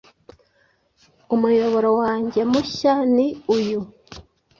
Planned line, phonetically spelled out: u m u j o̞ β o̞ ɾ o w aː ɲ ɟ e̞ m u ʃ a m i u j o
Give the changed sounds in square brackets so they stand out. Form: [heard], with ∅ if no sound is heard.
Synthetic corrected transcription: u m u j o̞ β o̞ ɾ o w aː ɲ ɟ e̞ m u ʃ a [n] i u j [u]